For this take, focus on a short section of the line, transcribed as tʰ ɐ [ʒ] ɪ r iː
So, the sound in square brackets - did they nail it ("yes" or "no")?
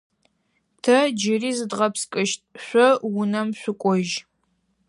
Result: no